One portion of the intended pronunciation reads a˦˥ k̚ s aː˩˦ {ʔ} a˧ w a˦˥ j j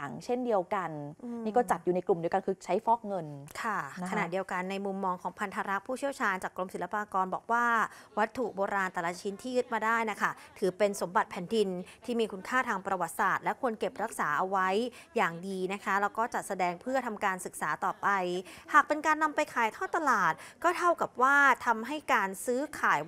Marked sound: correct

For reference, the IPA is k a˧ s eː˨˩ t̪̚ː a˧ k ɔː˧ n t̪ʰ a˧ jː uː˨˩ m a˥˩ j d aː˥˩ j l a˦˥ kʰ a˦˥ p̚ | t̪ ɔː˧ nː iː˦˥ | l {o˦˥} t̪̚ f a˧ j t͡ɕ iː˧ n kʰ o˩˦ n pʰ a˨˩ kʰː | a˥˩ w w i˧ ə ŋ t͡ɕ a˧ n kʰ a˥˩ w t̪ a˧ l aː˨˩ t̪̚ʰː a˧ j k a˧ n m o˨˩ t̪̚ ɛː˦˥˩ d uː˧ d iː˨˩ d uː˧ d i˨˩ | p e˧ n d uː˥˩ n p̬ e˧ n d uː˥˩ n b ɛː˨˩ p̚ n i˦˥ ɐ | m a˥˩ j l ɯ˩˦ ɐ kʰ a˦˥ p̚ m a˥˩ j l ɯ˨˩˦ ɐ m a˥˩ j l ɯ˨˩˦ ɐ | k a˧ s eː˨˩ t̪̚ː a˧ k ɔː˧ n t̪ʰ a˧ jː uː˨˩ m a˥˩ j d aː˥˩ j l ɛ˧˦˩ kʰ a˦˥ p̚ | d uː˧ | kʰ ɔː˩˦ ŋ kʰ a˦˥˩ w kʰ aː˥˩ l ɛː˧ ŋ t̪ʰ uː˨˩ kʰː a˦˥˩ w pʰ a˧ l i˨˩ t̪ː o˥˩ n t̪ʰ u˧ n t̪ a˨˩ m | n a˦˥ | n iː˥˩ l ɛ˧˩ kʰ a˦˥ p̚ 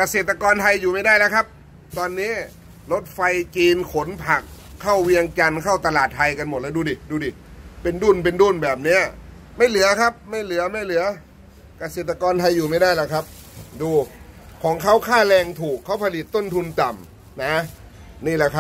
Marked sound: correct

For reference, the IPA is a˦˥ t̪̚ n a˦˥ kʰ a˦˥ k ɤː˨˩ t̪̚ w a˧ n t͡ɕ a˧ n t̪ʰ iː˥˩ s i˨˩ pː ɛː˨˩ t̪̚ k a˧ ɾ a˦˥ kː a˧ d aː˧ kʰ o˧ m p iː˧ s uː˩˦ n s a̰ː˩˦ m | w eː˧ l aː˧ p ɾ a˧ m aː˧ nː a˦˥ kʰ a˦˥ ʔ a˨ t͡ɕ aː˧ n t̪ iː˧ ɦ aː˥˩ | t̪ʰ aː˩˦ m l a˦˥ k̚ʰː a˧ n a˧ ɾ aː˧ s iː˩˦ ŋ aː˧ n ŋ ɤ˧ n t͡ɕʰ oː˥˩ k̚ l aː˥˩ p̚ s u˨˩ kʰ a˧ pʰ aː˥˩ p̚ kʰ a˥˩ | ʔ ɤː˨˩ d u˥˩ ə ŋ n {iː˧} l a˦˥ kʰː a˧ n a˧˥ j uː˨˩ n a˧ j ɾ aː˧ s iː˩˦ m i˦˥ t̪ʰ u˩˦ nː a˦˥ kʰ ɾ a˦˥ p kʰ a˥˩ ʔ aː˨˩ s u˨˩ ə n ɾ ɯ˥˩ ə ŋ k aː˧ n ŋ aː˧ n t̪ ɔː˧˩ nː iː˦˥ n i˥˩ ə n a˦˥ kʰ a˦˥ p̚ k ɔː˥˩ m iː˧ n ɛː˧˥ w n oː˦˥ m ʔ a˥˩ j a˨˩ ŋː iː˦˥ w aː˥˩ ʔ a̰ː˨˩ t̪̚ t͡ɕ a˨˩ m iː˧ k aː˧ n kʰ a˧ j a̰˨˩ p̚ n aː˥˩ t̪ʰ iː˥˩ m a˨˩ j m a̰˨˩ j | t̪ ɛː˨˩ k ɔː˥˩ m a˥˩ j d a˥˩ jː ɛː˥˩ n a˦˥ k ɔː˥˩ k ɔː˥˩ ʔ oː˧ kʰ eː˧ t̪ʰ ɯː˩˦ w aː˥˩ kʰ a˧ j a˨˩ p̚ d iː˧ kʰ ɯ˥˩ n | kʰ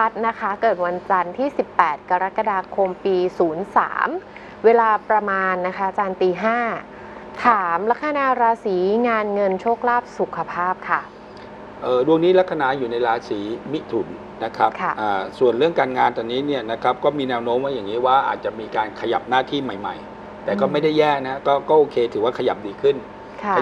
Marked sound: incorrect: iː˦˥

